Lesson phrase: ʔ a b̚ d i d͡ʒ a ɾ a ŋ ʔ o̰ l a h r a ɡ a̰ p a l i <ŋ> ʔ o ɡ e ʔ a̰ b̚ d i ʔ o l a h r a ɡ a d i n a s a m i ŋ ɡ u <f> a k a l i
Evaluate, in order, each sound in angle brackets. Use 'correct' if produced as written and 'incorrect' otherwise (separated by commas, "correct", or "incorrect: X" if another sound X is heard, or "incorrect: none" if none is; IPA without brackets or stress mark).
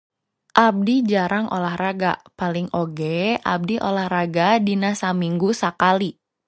correct, incorrect: s